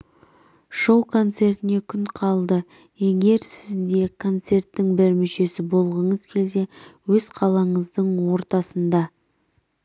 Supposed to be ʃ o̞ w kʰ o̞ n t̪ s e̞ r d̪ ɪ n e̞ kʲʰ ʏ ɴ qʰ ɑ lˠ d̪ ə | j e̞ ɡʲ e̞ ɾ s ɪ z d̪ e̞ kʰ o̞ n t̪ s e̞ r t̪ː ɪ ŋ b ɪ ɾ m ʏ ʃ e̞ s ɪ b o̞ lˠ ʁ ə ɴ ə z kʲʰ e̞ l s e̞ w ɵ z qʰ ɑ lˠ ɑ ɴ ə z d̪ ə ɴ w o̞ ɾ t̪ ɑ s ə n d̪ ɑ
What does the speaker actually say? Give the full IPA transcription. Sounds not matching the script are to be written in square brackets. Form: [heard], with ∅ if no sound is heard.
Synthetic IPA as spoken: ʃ o̞ w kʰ o̞ n t̪ s e̞ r [t̪] ɪ n e̞ kʲʰ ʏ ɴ qʰ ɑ lˠ d̪ ə | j e̞ ɡʲ e̞ ɾ s ɪ z d̪ e̞ kʰ o̞ n t̪ s e̞ r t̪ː ɪ ŋ b ɪ ɾ m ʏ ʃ e̞ s ɪ b o̞ lˠ ʁ ə ɴ ə z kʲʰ e̞ l s e̞ w ɵ z qʰ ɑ lˠ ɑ ɴ ə z d̪ ə ɴ w o̞ ɾ t̪ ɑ s ə n d̪ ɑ